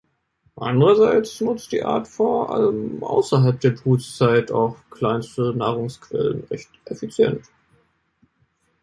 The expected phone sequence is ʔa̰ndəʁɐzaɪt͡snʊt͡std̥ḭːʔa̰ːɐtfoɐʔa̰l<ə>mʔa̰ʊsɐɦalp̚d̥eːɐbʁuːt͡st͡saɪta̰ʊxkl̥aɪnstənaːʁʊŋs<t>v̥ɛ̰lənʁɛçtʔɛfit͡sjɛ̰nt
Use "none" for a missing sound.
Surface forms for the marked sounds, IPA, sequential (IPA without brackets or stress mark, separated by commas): ə, k